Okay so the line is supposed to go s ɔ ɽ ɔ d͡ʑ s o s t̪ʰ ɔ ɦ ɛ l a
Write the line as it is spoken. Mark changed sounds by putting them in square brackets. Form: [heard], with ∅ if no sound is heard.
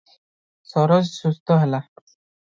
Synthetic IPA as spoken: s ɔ [ɾ] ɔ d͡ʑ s [u] s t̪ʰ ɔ ɦ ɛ l a